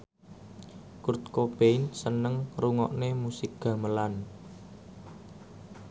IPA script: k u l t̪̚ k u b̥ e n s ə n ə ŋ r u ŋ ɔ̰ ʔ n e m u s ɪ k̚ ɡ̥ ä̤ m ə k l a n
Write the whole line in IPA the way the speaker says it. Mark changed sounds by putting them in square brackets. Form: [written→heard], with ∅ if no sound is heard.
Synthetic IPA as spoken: k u [l→r] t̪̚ k [u→o] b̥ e n s ə n ə ŋ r u ŋ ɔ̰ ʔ n e m u s ɪ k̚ ɡ̥ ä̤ m ə [k→∅] l a n